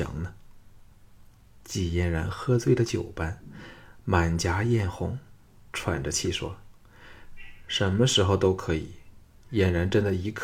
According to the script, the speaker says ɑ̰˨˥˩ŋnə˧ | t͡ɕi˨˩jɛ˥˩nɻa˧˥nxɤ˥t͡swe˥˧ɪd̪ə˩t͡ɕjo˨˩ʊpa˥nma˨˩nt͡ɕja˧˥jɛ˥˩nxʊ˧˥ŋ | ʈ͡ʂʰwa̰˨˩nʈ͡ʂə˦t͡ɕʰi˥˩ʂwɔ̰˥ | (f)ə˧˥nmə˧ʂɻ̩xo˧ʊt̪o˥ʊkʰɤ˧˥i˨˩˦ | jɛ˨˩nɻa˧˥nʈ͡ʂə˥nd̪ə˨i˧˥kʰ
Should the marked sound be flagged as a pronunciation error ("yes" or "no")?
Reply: yes